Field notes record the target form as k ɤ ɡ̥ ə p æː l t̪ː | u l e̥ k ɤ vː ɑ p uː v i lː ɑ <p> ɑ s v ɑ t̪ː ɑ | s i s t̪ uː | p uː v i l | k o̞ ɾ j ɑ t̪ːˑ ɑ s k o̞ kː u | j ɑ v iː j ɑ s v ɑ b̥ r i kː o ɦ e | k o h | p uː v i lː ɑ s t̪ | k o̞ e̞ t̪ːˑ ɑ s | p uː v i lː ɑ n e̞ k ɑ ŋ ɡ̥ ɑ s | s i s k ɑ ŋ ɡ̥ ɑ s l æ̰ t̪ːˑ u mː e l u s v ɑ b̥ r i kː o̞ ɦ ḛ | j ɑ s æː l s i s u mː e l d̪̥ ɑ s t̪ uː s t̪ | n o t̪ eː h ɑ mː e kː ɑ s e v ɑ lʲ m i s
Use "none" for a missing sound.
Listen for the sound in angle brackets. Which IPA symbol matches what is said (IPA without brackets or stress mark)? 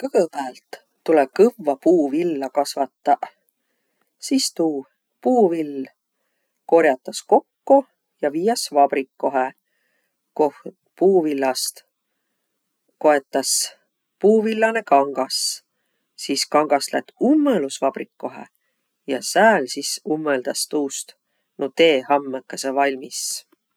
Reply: k